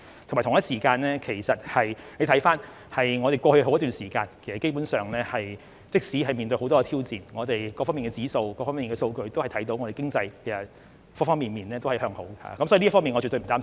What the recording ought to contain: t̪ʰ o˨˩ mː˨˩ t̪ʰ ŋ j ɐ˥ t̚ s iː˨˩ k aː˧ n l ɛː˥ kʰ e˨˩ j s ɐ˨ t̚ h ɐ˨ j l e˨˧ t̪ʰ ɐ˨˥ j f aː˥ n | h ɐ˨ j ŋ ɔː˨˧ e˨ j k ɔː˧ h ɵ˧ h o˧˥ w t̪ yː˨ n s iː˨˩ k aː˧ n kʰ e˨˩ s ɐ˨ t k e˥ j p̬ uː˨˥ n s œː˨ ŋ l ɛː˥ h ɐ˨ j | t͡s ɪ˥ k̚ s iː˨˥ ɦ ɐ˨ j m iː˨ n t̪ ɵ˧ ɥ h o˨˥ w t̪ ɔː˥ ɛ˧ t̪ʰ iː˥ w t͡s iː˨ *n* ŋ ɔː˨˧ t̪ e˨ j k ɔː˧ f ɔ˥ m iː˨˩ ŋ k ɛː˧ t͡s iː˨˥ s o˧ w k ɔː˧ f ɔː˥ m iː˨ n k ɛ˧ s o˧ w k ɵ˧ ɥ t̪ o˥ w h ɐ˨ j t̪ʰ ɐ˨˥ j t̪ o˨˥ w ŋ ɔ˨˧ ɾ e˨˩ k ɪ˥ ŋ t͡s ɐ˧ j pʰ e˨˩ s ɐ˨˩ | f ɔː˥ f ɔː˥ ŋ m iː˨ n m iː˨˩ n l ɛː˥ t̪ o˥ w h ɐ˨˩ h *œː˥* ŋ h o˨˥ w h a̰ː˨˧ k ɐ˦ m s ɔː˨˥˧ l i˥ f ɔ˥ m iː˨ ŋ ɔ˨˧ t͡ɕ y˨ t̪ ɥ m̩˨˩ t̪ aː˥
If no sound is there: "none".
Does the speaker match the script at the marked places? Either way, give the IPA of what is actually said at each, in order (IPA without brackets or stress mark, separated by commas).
n, œː˧